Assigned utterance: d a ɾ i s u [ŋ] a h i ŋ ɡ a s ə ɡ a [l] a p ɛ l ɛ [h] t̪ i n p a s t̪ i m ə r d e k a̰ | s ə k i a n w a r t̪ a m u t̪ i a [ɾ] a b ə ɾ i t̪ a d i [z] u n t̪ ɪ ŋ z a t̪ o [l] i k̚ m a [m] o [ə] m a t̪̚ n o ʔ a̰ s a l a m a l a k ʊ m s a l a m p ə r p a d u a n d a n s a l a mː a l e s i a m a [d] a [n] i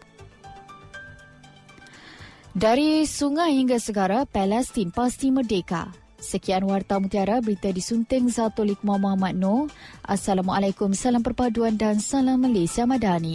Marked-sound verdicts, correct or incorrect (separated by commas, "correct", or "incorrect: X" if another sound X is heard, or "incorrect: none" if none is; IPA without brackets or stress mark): correct, incorrect: ɾ, incorrect: s, correct, incorrect: s, correct, correct, incorrect: a, correct, correct